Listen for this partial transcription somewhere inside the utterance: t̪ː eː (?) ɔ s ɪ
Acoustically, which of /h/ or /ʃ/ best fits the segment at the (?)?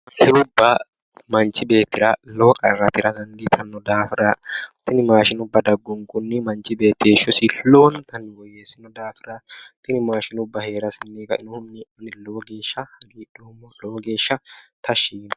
ʃ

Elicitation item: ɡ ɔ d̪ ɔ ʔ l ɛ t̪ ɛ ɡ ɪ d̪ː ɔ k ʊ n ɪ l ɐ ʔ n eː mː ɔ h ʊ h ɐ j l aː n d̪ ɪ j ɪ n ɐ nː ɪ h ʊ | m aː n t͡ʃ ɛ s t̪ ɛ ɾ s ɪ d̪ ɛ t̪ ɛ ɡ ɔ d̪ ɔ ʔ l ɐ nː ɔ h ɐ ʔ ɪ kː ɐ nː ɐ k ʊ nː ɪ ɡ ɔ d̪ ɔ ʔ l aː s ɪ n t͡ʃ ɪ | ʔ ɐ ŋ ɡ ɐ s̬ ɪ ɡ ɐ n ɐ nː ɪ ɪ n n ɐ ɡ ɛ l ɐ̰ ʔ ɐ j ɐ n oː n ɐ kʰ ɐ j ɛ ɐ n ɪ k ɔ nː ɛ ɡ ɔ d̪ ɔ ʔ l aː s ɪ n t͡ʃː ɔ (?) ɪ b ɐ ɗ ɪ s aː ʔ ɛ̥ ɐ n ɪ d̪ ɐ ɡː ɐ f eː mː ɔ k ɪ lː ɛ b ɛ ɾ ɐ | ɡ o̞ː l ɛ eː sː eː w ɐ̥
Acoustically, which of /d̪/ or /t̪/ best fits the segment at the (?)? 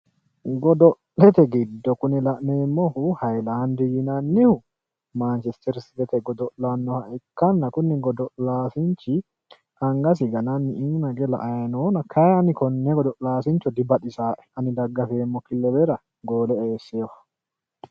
d̪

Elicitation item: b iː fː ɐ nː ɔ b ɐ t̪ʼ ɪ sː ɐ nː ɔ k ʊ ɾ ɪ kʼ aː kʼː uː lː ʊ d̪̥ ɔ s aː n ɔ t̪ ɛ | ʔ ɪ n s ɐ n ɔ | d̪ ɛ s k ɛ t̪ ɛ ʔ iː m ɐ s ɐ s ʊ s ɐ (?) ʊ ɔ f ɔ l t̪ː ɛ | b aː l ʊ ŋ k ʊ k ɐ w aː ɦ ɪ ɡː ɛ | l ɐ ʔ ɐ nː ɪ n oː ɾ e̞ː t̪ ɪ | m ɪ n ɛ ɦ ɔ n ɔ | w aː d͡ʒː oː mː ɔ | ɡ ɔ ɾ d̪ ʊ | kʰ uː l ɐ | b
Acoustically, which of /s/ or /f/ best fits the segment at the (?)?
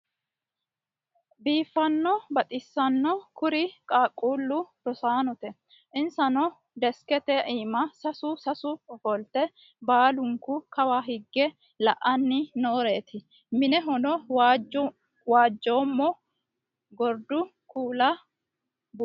s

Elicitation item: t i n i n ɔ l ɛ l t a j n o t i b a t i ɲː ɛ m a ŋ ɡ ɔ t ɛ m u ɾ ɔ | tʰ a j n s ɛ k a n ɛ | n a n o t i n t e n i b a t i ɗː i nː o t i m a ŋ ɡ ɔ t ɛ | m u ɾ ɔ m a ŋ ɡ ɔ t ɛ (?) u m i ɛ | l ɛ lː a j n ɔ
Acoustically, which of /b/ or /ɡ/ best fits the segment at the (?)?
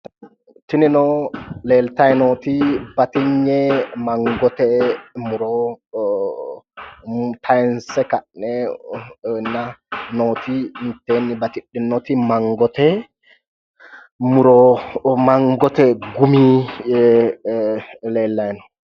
ɡ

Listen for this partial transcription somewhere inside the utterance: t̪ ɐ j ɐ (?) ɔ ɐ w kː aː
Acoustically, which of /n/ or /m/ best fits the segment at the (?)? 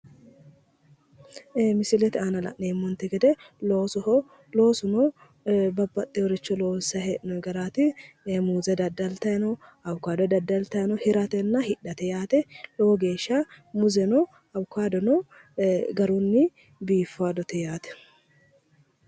n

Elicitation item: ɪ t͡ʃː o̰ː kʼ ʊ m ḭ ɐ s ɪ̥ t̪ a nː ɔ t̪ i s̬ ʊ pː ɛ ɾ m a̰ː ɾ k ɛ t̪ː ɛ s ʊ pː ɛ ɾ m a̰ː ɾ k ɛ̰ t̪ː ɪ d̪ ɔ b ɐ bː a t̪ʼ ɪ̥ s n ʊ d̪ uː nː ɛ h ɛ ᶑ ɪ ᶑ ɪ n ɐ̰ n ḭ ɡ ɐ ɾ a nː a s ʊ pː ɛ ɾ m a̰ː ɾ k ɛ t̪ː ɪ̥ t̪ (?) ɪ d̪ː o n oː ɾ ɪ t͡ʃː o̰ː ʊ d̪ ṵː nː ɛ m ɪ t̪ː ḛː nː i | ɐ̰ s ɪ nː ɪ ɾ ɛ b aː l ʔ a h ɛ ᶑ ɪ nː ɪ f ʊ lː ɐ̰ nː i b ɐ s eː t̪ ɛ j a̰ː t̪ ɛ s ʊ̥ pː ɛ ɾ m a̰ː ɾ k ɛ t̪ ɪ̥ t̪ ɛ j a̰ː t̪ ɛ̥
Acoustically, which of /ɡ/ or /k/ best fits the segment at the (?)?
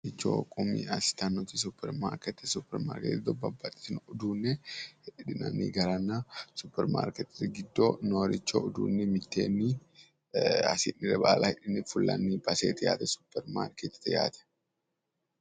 ɡ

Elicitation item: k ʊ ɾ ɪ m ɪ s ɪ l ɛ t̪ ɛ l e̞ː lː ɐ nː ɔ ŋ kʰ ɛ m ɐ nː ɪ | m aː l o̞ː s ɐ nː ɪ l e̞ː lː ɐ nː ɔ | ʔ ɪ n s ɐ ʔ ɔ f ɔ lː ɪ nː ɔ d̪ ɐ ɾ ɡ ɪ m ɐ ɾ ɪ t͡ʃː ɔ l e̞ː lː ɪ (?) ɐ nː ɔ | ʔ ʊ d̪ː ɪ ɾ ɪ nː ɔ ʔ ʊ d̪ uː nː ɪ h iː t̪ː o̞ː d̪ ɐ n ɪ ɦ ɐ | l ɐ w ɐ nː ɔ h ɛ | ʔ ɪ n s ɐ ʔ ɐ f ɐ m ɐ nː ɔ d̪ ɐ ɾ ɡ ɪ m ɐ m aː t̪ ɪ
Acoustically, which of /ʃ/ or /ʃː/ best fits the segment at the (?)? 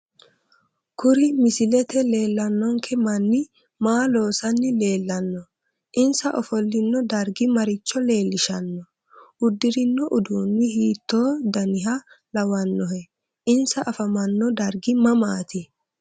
ʃ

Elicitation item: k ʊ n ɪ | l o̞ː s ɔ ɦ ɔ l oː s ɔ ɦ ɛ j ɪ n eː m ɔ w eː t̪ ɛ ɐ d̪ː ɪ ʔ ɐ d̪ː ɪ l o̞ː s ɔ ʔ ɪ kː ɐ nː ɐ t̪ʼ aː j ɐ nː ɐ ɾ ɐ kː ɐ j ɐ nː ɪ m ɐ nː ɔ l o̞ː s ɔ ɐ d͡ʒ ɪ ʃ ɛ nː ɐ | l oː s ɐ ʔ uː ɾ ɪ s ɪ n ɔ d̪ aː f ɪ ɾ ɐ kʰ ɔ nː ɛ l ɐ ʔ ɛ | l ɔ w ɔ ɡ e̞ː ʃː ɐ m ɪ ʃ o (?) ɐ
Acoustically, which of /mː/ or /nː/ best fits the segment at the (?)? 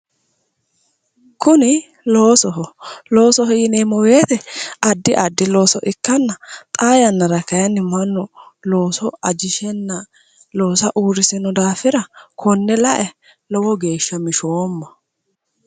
mː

